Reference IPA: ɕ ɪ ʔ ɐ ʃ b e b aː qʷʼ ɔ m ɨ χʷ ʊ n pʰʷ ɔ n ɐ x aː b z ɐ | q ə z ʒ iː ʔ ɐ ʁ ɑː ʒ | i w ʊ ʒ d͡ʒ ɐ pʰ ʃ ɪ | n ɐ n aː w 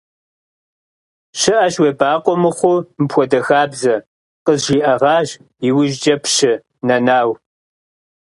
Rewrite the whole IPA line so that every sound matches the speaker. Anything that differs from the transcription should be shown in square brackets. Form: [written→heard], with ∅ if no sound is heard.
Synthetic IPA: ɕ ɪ ʔ ɐ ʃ [b→w] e b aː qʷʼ ɔ m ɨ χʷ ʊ [n→m] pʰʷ ɔ [n→d] ɐ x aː b z ɐ | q ə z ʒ iː ʔ ɐ ʁ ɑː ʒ | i w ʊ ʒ d͡ʒ ɐ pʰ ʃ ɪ | n ɐ n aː w